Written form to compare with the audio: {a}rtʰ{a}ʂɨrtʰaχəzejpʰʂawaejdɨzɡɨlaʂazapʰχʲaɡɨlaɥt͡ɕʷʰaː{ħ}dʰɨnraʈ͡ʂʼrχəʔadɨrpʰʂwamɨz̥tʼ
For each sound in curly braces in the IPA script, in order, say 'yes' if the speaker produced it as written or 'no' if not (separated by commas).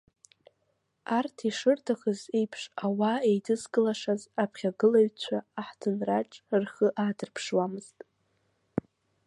yes, no, yes